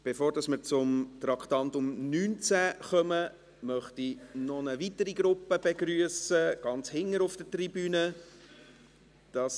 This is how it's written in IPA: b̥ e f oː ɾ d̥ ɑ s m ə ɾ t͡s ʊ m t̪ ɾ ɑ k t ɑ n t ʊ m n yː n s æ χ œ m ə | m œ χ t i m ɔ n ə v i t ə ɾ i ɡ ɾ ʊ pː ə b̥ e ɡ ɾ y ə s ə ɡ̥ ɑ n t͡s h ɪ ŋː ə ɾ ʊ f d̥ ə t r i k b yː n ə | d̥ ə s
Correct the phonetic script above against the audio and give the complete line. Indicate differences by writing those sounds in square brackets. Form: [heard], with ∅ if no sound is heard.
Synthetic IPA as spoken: b̥ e f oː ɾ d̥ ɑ s m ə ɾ t͡s ʊ m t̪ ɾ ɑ k t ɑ n t ʊ m n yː n [t͡s] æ χ œ m ə | m œ χ t i [n] ɔ n ə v i t ə ɾ i ɡ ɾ ʊ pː ə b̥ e ɡ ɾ y ə s ə ɡ̥ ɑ n t͡s h ɪ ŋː ə ɾ ʊ f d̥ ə t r i [∅] b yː n ə | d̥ [ɑ] s